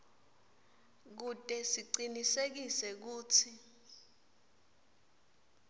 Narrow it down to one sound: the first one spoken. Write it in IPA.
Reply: k̬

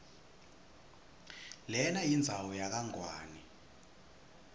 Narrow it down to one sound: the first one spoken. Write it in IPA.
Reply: l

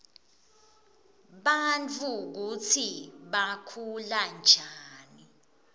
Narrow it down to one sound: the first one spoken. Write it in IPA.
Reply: ɓ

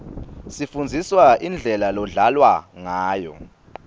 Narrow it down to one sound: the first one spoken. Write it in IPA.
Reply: s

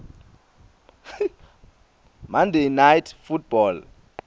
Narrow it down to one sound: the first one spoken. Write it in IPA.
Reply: m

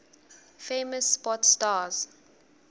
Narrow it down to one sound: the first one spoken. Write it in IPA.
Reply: f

